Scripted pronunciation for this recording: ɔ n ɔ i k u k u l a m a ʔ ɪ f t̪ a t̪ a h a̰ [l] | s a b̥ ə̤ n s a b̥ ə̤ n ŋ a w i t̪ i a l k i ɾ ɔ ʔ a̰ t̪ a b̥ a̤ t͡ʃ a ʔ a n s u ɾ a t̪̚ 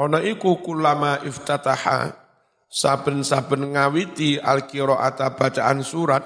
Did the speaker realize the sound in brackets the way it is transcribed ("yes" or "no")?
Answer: no